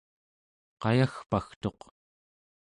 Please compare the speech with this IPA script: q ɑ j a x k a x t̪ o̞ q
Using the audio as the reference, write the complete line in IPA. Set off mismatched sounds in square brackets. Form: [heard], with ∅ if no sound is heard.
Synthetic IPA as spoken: q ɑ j a x [p] a x t̪ o̞ q